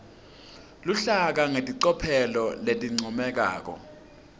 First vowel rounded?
yes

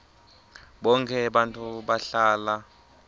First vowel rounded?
yes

